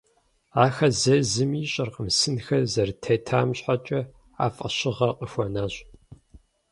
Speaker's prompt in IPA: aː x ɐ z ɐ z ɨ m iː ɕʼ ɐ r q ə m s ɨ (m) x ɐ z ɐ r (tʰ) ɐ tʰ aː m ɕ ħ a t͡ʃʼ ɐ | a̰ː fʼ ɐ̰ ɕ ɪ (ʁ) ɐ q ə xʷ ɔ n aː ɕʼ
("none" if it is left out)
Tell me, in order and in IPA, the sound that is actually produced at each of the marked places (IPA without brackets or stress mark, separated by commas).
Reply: n, tʰ, ʁ